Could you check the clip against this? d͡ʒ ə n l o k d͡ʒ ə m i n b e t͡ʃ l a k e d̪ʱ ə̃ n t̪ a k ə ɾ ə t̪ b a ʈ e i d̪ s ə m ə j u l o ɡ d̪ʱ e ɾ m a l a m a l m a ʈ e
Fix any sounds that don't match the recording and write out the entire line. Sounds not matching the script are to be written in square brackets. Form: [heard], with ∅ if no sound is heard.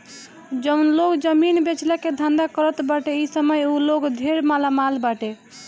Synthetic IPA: d͡ʒ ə n l o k d͡ʒ ə m i n b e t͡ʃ l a k e d̪ʱ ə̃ n [d̪] a k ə ɾ ə t̪ b a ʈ e i [∅] s ə m ə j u l o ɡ d̪ʱ e ɾ m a l a m a l [b] a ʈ e